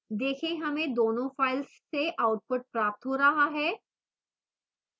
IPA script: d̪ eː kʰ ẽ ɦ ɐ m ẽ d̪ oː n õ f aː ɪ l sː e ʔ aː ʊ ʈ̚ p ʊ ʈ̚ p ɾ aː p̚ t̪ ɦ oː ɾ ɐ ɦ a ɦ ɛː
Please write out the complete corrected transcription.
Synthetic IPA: d̪ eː kʰ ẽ ɦ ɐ m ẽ d̪ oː n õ f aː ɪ l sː e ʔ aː ʊ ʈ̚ p ʊ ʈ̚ p ɾ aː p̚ t̪ ɦ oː ɾ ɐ ɦ a ɦ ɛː

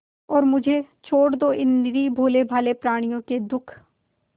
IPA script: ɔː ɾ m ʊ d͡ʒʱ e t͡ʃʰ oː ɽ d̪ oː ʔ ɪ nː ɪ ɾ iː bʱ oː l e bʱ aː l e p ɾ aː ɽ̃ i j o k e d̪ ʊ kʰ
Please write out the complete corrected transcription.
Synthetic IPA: ɔː ɾ m ʊ d͡ʒʱ e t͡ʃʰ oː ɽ d̪ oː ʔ ɪ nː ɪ ɾ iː bʱ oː l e bʱ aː l e p ɾ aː ɽ̃ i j õ k e d̪ ʊ kʰ

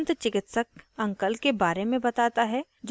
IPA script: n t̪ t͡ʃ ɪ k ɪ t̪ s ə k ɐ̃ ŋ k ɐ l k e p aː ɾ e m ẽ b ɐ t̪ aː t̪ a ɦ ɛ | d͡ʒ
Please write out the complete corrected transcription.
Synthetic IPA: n t̪ t͡ʃ ɪ k ɪ t̪ s ə k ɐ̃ ŋ k ə l k e b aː ɾ e m ẽ b ɐ t̪ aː t̪ a ɦ ɛ | d͡ʒ

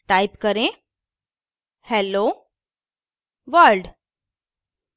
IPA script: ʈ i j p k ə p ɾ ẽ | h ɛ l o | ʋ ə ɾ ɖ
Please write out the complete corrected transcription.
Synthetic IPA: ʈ a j p k ə ɾ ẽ | h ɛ l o | ʋ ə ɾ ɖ

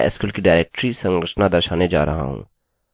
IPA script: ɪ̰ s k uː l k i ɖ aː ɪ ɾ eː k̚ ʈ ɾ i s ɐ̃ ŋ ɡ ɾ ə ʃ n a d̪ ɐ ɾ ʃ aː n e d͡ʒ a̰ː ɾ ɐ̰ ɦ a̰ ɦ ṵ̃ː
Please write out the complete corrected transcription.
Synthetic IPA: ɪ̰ s k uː l k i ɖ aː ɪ ɾ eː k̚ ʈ ɾ i s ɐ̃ ŋ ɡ ɾ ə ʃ n a d̪ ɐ ɾ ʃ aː n e d͡ʒ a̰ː ɾ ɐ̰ ɦ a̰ ɦ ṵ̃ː

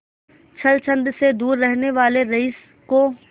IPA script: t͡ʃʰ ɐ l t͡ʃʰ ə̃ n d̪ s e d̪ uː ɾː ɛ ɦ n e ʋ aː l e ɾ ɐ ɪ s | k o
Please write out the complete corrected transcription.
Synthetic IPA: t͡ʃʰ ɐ l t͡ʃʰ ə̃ n d̪ s e d̪ uː ɾː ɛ ɦ n e ʋ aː l e ɾ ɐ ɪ s | k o

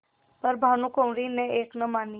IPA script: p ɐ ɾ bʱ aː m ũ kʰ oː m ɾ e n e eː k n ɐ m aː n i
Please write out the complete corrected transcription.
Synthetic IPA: p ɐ ɾ bʱ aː n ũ k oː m ɾ i n e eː k n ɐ m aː n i

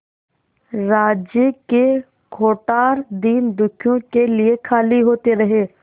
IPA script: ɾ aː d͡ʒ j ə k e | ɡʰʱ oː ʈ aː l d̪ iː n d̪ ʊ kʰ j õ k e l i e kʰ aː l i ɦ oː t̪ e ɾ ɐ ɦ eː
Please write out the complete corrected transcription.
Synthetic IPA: ɾ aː d͡ʒ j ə k e | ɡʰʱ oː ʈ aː ɾ d̪ iː n d̪ ʊ kʰ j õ k e l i e kʰ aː l i ɦ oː t̪ e ɾ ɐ ɦ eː

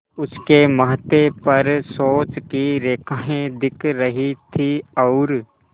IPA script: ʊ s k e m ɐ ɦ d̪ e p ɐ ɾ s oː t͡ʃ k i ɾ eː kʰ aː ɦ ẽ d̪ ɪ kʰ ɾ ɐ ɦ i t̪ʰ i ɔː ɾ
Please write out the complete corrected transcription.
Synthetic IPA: ʊ s k e m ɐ ɦ t̪ e p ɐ ɾ s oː t͡ʃ k i ɾ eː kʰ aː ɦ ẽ d̪ ɪ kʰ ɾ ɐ ɦ i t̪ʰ i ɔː ɾ

